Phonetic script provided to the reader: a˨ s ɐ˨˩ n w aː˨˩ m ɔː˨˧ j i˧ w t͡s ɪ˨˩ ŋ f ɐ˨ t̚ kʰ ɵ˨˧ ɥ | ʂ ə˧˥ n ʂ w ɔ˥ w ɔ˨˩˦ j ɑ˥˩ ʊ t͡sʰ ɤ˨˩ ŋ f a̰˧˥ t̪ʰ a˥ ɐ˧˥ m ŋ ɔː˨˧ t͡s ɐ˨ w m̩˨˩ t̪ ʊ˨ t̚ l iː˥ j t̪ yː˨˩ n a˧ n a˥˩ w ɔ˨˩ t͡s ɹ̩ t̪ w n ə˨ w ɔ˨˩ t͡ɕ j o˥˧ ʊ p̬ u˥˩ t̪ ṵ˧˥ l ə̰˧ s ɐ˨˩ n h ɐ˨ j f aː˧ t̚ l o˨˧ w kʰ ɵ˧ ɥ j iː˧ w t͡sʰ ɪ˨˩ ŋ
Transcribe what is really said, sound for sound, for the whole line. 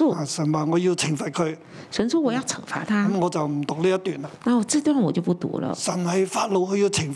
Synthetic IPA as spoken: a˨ s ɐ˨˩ n w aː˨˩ ŋ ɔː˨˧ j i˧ w t͡sʰ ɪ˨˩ ŋ f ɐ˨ t̚ kʰ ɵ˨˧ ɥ | ʂ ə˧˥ n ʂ w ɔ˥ w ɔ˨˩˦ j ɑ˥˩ ʊ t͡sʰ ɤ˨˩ ŋ f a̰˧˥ t̪ʰ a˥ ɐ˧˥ m ŋ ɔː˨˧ t͡s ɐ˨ w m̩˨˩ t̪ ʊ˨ k̚ l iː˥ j t̪ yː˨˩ n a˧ n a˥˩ w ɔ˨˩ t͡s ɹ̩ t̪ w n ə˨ w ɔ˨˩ t͡ɕ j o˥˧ ʊ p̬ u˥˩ t̪ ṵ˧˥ l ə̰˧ s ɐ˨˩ n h ɐ˨ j f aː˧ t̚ l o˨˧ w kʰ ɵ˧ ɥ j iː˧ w t͡sʰ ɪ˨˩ ŋ